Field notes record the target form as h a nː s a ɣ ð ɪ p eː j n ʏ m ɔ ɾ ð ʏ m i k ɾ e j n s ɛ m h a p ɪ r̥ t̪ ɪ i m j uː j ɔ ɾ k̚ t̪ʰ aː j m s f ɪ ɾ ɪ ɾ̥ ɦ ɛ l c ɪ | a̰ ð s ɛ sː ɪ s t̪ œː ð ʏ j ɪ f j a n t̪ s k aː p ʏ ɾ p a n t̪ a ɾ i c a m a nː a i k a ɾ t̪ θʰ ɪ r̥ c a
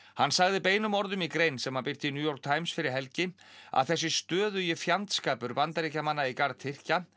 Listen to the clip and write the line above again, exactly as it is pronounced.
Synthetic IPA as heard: h a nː s a ɣ ð ɪ p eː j n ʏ m ɔ ɾ ð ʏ m i k ɾ e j n s ɛ m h a p ɪ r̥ t̪ ɪ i n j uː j ɔ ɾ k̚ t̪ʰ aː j m s f ɪ ɾ ɪ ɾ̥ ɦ ɛ l c ɪ | a̰ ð θ ɛ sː ɪ s t̪ œː ð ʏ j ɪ f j a n t̪ s k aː p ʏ ɾ p a n t̪ a ɾ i c a m a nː a i k a ɾ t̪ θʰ ɪ r̥ c a